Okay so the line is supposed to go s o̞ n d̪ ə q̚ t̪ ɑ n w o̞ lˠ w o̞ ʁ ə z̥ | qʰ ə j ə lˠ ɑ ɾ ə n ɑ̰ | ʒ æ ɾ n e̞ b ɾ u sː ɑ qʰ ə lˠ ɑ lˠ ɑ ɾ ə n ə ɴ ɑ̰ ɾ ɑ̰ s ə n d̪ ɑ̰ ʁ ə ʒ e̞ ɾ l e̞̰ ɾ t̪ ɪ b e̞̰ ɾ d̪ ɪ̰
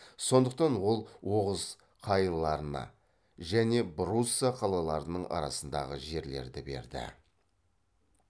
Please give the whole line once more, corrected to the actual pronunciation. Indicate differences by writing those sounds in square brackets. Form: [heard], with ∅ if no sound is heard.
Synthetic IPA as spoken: s o̞ n d̪ ə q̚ t̪ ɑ n w o̞ lˠ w o̞ ʁ ə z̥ | qʰ [ɑ] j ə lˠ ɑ ɾ ə n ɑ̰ | ʒ æ [∅] n e̞ b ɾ u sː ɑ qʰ [ɑ] lˠ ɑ lˠ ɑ ɾ ə n ə ɴ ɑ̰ ɾ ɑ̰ s ə n d̪ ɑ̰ ʁ ə ʒ e̞ ɾ l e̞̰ ɾ [d̪] ɪ b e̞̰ ɾ d̪ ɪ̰